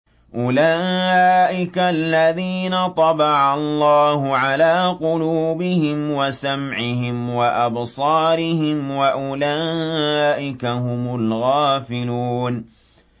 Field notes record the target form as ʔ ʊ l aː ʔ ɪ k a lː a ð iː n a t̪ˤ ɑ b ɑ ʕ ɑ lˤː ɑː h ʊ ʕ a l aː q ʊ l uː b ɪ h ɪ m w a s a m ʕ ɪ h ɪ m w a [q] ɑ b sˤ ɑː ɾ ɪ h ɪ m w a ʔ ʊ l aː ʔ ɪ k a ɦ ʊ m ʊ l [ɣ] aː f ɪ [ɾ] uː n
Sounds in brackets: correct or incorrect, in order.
incorrect: ʔ, correct, incorrect: l

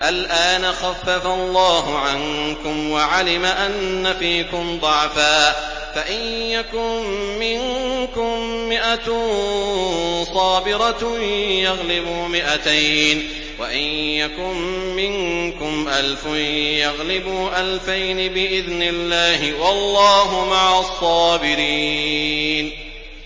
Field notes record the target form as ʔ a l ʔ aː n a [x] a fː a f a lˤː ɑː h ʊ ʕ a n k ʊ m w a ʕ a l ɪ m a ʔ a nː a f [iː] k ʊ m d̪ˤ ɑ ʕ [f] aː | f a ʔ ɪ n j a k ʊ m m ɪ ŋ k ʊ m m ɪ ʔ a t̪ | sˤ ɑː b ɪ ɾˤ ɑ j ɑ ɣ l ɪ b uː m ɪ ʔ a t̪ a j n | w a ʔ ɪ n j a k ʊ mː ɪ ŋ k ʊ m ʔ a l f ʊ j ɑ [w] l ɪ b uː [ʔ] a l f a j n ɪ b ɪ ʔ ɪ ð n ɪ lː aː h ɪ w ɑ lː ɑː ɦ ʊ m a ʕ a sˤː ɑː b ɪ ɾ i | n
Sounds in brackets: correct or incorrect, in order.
correct, correct, correct, incorrect: ɣ, correct

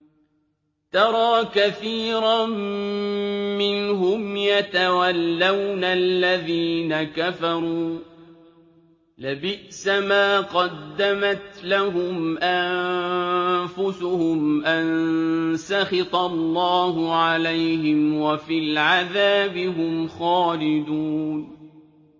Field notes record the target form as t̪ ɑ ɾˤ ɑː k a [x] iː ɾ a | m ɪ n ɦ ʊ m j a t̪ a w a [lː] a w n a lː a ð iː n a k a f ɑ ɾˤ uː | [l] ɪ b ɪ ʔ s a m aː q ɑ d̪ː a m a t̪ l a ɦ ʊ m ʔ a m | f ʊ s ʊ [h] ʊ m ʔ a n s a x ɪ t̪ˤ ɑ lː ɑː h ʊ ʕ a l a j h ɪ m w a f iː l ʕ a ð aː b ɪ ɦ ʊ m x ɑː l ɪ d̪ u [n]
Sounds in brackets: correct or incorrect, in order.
incorrect: θ, correct, correct, correct, correct

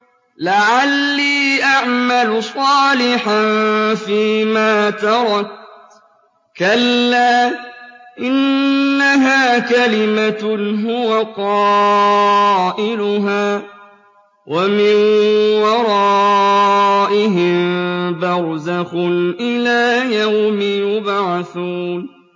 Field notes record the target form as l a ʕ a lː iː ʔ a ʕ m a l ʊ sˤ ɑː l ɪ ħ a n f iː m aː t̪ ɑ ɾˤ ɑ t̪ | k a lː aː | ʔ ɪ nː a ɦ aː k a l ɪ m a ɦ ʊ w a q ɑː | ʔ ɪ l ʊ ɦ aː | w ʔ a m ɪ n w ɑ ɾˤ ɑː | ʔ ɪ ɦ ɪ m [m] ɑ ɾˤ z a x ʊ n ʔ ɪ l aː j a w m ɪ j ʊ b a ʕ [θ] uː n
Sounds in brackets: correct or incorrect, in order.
incorrect: b, correct

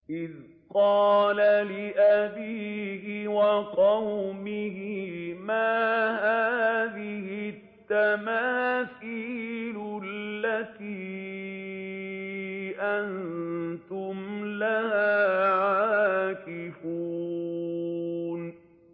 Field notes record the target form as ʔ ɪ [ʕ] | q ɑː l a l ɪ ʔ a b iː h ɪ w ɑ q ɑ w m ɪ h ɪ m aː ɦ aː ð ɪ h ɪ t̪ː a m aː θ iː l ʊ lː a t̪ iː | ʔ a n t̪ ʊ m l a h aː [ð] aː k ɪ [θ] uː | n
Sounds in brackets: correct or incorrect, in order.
incorrect: ð, incorrect: ʕ, incorrect: f

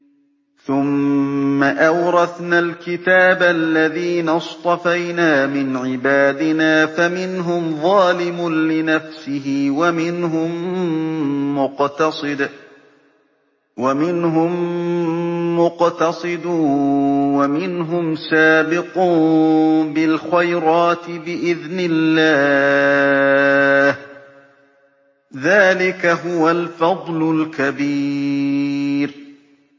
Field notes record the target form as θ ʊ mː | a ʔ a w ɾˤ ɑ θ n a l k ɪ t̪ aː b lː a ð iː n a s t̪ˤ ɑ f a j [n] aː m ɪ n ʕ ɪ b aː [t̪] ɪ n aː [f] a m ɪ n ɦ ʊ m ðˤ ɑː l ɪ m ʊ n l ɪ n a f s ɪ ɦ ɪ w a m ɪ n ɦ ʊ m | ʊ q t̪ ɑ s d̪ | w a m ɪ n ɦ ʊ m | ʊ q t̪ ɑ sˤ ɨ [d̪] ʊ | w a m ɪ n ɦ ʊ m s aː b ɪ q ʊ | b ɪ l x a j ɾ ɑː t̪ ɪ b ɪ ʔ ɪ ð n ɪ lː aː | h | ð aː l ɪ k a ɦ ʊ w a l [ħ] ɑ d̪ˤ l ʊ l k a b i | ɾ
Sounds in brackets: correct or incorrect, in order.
correct, incorrect: d̪, correct, correct, incorrect: f

